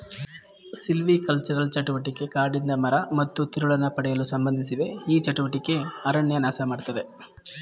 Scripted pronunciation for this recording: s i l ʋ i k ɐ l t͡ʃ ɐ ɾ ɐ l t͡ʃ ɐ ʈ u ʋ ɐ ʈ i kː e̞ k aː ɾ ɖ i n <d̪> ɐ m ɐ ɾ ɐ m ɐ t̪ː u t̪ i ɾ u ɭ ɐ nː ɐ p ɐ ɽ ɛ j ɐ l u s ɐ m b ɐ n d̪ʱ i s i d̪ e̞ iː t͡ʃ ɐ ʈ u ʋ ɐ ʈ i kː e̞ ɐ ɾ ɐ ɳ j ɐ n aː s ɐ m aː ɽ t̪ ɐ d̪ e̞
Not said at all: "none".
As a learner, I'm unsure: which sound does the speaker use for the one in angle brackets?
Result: d̪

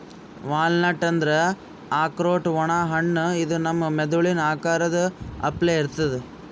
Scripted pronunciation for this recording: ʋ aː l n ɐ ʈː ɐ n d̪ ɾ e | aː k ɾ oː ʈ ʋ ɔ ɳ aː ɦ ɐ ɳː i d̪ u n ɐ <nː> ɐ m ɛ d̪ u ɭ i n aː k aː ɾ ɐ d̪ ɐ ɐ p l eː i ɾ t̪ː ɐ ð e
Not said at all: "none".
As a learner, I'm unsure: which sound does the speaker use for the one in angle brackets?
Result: mː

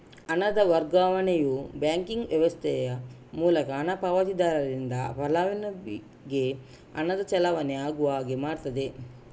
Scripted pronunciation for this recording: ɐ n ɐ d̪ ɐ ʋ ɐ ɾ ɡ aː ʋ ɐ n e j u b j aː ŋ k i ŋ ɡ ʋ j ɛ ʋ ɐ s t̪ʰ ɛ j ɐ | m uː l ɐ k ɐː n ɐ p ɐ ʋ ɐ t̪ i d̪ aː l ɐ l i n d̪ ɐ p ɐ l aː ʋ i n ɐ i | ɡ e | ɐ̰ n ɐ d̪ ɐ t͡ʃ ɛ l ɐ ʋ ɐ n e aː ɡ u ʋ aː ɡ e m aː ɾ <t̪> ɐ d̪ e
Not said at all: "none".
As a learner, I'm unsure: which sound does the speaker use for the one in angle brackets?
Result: t̪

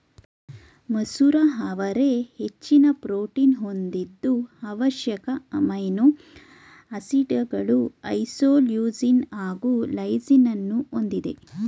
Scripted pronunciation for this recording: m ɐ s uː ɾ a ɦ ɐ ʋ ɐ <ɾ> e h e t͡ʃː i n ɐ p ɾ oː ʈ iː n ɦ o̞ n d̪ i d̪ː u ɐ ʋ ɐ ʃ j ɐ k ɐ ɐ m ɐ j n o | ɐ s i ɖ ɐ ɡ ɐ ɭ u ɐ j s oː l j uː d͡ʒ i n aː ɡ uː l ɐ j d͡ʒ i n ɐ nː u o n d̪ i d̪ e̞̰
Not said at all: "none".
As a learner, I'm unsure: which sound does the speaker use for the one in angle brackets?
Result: ɾ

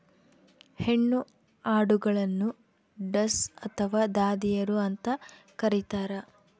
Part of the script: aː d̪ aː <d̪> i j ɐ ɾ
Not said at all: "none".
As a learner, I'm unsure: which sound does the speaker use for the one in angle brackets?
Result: d̪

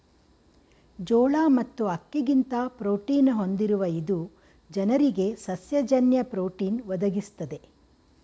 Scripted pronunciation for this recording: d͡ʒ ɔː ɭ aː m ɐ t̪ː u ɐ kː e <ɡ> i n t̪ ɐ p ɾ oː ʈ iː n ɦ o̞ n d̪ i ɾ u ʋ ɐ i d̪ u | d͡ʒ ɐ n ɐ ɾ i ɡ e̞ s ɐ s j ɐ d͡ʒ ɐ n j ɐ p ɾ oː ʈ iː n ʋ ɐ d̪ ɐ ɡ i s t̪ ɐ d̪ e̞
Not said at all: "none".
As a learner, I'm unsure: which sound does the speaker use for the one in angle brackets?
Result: ɡ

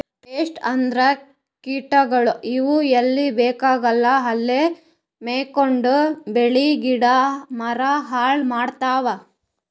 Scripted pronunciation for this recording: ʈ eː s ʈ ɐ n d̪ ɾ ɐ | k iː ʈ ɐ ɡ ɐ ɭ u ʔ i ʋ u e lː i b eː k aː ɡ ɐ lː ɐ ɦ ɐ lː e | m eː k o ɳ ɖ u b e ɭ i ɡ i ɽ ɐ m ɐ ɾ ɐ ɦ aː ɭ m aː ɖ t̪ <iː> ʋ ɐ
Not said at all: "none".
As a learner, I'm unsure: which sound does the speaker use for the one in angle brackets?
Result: aː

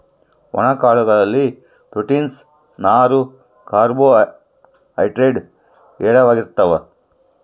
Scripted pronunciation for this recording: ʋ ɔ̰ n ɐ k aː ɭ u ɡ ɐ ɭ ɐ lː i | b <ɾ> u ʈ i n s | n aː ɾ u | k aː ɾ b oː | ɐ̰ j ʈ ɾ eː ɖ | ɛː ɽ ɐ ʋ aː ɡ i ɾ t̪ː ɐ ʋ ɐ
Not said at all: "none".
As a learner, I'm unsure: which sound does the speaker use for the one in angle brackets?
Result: ɾ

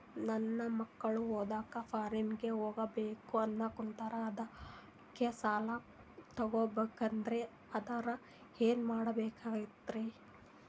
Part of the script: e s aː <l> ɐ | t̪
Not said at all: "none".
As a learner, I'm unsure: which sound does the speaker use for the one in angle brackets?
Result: l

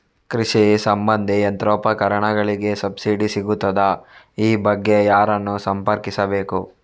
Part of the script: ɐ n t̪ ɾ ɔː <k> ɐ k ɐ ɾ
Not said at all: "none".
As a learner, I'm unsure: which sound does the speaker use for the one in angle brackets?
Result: p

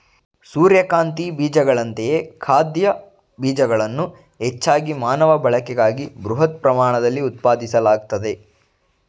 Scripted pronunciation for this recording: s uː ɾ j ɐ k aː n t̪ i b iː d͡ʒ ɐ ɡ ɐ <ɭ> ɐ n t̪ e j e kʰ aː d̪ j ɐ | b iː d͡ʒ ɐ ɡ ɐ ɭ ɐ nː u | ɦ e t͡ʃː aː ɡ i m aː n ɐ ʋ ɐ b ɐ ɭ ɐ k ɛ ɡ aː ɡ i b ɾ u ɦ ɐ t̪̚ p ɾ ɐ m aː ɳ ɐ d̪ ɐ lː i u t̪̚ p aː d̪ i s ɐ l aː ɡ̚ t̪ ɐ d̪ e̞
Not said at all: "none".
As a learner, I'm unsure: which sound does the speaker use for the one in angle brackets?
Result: ɭ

